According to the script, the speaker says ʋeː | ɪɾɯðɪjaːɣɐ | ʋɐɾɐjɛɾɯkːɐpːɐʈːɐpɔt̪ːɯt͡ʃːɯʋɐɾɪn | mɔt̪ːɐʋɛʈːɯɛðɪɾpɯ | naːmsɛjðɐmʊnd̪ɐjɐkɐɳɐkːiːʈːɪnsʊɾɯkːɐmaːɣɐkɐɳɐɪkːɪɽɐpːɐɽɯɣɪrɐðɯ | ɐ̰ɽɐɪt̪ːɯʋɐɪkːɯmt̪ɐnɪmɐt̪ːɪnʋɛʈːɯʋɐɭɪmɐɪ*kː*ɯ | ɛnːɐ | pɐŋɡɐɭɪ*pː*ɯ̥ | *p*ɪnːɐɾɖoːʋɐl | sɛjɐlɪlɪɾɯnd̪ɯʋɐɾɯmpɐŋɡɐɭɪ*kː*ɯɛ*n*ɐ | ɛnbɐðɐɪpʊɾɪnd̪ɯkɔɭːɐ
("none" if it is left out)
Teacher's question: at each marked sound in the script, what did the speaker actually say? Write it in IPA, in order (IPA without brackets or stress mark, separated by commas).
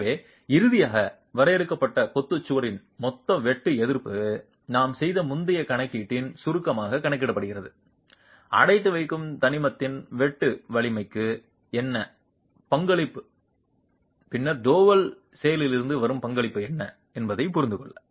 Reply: kː, pː, p, pː, nː